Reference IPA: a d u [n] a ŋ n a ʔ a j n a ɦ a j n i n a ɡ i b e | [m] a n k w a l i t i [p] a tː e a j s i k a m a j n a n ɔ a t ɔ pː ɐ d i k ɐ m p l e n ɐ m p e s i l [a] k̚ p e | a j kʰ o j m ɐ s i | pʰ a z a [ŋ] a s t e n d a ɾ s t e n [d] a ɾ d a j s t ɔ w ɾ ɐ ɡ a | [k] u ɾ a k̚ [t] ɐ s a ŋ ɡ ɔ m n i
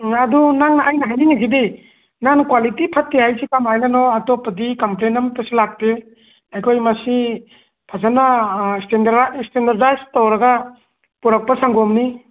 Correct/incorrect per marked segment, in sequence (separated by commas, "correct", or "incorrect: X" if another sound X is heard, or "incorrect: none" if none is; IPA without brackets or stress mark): correct, incorrect: n, incorrect: pʰ, correct, incorrect: n, correct, incorrect: p, incorrect: p